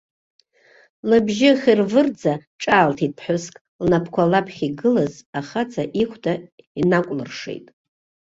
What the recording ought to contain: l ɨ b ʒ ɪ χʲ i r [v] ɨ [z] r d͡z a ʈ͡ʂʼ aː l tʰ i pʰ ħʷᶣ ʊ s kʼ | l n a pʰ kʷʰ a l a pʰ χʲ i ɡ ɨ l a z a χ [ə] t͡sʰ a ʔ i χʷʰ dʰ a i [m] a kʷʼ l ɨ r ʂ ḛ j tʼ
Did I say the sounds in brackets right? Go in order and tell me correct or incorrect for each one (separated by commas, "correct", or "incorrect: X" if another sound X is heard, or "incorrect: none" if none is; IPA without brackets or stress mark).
correct, incorrect: none, incorrect: a, incorrect: n